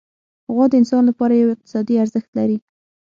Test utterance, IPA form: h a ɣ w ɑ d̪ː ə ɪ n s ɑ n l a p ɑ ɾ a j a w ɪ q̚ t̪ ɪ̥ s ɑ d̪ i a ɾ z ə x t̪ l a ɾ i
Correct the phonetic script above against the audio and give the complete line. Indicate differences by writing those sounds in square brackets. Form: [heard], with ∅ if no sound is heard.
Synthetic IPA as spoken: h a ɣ w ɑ [d̪] ə ɪ n s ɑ n l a p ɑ ɾ a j a w ɪ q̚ t̪ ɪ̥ s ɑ d̪ i a ɾ z ə x t̪ l a ɾ i